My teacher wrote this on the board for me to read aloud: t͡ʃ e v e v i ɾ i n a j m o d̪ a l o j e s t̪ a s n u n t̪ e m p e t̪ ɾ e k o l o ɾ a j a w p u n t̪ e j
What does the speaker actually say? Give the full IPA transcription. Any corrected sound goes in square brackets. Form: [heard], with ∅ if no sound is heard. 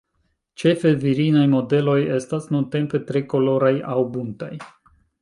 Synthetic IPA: t͡ʃ e [f] e v i ɾ i n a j m o d̪ [e] l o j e s t̪ a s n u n t̪ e m p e t̪ ɾ e k o l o ɾ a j a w [b] u n t̪ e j

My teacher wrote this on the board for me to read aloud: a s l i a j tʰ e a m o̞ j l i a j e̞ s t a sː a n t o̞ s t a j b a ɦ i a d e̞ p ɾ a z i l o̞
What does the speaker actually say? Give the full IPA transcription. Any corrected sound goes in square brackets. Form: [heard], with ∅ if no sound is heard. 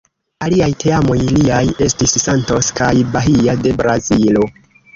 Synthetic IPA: a [∅] l i a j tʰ e a m o̞ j l i a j e̞ s t [i] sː a n t o̞ s [k] a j b a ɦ i a d e̞ [b] ɾ a z i l o̞

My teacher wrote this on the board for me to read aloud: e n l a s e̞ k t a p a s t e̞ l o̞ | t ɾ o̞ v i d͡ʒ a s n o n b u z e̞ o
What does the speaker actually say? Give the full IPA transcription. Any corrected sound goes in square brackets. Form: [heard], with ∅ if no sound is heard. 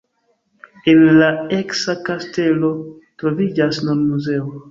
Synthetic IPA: e n l a [∅] e̞ k [s] a [k] a s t e̞ l o̞ | t ɾ o̞ v i d͡ʒ a s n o n [m] u z e̞ o

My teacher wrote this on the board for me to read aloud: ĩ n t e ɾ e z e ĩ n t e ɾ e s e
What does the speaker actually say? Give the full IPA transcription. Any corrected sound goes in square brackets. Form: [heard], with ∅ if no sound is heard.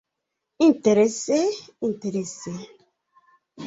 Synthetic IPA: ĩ n t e ɾ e [s] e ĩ n t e ɾ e s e

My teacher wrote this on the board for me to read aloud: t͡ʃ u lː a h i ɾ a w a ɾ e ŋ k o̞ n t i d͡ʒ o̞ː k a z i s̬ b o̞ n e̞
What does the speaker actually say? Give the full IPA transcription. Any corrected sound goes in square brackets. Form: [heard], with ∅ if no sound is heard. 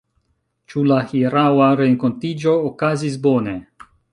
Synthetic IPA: t͡ʃ u [l] a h i ɾ a w a ɾ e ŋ k o̞ n t i d͡ʒ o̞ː k a z i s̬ b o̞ n e̞

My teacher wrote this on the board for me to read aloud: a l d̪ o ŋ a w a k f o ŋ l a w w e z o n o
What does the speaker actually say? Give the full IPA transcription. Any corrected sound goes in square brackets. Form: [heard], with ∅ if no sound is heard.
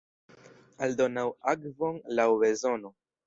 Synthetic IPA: a l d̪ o [n] a w a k [v] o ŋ l a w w e z o n o

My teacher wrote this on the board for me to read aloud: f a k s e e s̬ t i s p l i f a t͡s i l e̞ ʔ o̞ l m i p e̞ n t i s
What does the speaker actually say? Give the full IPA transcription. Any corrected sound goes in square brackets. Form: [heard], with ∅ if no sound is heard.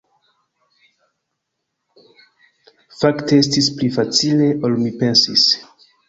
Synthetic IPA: f a k [t] e e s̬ t i s p l i f a t͡s i l e̞ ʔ o̞ l m i p e̞ n [s] i s

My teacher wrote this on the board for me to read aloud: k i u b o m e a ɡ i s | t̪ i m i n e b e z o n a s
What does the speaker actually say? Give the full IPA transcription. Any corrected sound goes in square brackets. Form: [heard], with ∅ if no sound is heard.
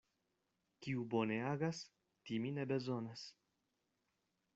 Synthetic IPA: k i u b o [n] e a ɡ [a] s | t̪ i m i n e b e z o n a s

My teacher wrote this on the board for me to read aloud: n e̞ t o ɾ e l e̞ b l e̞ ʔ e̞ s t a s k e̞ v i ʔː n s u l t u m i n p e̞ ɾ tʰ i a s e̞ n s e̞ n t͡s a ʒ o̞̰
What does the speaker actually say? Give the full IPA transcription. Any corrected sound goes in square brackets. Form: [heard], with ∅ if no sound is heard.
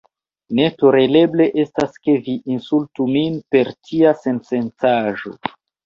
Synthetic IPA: n e̞ t o ɾ e l e̞ b l e̞ ʔ e̞ s t a s k e̞ v i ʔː n s u l t u m i n p e̞ ɾ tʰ i a s e̞ n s e̞ n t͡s a ʒ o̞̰

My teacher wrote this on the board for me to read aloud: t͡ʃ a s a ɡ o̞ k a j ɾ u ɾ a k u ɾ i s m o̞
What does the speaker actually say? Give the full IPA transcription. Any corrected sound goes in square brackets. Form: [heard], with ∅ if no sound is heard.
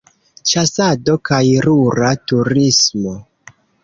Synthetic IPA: t͡ʃ a s a [d] o̞ k a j ɾ u ɾ a [t] u ɾ i s m o̞

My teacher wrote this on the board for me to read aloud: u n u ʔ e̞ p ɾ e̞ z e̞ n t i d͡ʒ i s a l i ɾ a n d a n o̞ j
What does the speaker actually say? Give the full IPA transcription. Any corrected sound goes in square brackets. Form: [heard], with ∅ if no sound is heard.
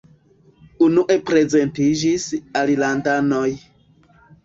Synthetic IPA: u n u ʔ e̞ p ɾ e̞ z e̞ n t i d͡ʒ i s a l i [l] a n d a n o̞ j

